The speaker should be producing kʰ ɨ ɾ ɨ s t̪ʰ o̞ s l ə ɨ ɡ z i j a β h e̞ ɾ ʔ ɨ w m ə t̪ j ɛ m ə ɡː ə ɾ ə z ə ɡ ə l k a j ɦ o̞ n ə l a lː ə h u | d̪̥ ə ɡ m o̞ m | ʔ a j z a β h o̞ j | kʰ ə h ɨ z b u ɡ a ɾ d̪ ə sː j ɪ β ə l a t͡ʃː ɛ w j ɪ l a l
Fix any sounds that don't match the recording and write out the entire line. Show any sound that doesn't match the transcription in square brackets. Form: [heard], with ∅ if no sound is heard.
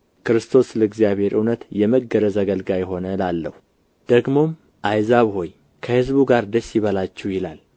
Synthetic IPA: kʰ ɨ ɾ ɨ s t̪ʰ o̞ s l ə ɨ ɡ z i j a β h e̞ ɾ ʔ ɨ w [n] ə t̪ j ɛ m ə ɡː ə ɾ ə z ə ɡ ə l [ɡ] a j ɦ o̞ n ə l a lː ə h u | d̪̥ ə ɡ m o̞ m | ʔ a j z a β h o̞ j | kʰ ə h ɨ z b u ɡ a ɾ d̪ ə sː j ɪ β ə l a t͡ʃː ɛ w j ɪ l a l

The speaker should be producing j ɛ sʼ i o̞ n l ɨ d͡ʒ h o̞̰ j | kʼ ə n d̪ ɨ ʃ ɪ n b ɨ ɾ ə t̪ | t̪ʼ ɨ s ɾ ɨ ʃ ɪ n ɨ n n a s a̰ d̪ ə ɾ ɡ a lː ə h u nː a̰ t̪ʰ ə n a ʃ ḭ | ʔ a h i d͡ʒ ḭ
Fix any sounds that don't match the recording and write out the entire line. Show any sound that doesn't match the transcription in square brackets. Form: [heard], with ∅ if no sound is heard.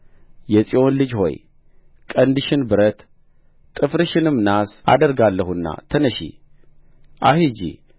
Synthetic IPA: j ɛ sʼ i o̞ n l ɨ d͡ʒ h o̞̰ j | kʼ ə n d̪ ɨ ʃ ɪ n b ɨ ɾ ə t̪ | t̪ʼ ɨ [f] ɾ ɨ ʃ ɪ n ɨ [m] n a s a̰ d̪ ə ɾ ɡ a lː ə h u nː a̰ t̪ʰ ə n [ə] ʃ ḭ | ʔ a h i d͡ʒ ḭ

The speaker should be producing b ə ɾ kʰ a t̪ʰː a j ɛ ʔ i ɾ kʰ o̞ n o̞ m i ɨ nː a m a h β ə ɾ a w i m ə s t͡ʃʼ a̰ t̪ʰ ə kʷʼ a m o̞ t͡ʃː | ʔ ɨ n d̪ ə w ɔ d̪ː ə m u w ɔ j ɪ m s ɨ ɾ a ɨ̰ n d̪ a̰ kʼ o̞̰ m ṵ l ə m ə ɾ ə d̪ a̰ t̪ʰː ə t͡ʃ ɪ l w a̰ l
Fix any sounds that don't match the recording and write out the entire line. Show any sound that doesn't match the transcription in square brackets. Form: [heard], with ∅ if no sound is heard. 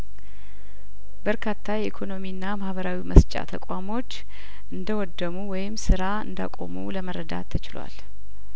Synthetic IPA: b ə ɾ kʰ a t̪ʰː a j ɛ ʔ i [∅] kʰ o̞ n o̞ m i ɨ nː a m a h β ə ɾ a w i m ə s t͡ʃʼ a̰ t̪ʰ ə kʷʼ a m o̞ t͡ʃː | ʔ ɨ n d̪ ə w ɔ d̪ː ə m u w ɔ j ɪ m s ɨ ɾ a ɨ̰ n d̪ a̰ kʼ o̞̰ m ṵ l ə m ə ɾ ə d̪ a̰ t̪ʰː ə t͡ʃ ɪ l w a̰ l

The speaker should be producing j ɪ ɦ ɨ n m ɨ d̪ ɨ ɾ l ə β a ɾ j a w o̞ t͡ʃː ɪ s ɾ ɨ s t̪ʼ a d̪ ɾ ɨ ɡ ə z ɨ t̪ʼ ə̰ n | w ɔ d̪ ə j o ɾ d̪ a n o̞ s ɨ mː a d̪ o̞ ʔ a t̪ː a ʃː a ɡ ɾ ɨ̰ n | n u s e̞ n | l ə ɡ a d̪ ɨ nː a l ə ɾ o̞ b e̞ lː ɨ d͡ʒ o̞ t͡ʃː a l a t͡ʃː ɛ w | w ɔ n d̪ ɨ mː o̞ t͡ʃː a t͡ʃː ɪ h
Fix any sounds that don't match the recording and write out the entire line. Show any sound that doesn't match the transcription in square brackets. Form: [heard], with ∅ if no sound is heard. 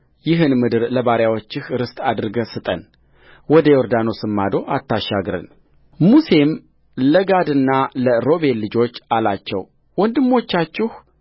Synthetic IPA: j ɪ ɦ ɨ n m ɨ d̪ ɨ ɾ l ə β a ɾ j a w o̞ t͡ʃː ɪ [h] ɾ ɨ s t̪ʼ a d̪ ɾ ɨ ɡ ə [s] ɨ t̪ʼ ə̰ n | w ɔ d̪ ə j o ɾ d̪ a n o̞ s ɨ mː a d̪ o̞ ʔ a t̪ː a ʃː a ɡ ɾ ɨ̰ n | [m] u s e̞ [m] | l ə ɡ a d̪ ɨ nː a l ə ɾ o̞ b e̞ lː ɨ d͡ʒ o̞ t͡ʃː a l a t͡ʃː ɛ w | w ɔ n d̪ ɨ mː o̞ t͡ʃː a t͡ʃː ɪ h

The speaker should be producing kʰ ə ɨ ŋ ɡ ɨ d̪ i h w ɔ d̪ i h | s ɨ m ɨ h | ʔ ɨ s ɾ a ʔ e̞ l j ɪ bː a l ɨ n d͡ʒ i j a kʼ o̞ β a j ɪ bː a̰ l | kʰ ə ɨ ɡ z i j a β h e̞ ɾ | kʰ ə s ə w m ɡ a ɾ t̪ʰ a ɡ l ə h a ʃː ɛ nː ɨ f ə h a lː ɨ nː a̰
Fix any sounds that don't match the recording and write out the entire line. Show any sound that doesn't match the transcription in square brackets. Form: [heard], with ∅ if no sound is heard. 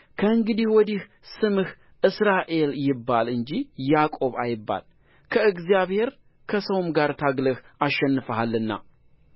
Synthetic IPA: kʰ ə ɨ ŋ ɡ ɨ d̪ i h w ɔ d̪ i h | s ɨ m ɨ h | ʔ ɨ s ɾ a ʔ e̞ l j ɪ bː a l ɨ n d͡ʒ i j a kʼ o̞ β a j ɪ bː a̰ l | kʰ ə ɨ ɡ z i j a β h e̞ ɾ | kʰ ə s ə w m ɡ a ɾ t̪ʰ a ɡ l ə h a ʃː ɛ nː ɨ f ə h a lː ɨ nː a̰

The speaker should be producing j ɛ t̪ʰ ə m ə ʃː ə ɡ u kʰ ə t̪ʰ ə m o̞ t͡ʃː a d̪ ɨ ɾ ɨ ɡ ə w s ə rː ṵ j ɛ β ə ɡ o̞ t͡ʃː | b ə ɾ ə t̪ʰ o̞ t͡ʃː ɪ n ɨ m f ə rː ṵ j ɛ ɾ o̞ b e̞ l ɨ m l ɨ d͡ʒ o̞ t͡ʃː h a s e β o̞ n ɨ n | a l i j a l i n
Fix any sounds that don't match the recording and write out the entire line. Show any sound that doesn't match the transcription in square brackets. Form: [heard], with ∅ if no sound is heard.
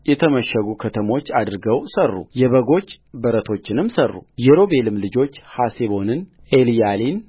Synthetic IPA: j ɛ t̪ʰ ə m ə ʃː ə ɡ u kʰ ə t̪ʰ ə m o̞ t͡ʃː a d̪ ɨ ɾ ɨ ɡ ə w s ə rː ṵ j ɛ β ə ɡ o̞ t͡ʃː | b ə ɾ ə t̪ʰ o̞ t͡ʃː ɪ n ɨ m [s] ə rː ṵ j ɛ ɾ o̞ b e̞ l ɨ m l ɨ d͡ʒ o̞ t͡ʃː h a s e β o̞ n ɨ n | [e] l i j a l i n

